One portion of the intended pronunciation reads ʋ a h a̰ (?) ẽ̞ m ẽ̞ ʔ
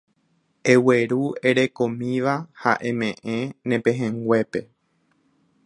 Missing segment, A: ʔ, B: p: A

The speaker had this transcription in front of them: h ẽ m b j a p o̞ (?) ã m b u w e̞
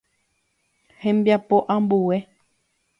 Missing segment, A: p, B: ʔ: B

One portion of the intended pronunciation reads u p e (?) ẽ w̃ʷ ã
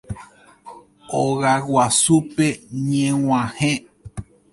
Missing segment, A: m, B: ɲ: B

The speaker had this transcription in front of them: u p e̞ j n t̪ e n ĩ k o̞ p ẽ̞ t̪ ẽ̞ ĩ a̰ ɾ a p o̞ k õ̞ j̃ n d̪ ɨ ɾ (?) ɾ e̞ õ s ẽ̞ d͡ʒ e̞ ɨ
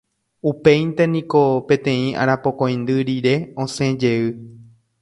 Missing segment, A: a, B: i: B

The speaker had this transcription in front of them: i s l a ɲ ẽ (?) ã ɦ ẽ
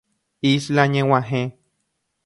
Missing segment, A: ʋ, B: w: B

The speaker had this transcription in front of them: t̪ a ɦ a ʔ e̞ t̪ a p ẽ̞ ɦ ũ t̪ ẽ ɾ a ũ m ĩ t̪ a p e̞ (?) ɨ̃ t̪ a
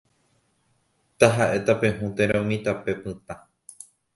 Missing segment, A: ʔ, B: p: B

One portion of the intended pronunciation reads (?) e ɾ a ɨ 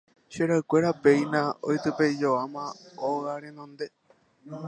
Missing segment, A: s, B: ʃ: B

